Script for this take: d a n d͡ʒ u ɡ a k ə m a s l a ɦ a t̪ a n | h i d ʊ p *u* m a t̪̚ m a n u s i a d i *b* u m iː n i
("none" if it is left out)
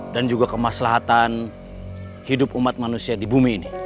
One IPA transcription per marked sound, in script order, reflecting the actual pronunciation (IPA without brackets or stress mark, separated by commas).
u, b